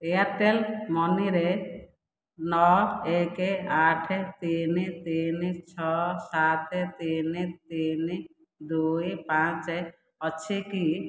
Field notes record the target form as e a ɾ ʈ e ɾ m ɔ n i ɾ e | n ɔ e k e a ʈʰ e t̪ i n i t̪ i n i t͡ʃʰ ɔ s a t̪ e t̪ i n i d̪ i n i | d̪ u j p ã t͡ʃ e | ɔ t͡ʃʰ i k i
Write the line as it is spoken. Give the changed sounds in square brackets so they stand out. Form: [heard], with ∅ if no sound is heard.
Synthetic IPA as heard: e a ɾ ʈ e [l] m ɔ n i ɾ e | n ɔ e k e a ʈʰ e t̪ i n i t̪ i n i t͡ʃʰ ɔ s a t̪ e t̪ i n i [t̪] i n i | d̪ u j p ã t͡ʃ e | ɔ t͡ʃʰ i k i